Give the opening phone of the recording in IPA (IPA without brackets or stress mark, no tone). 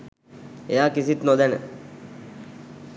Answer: e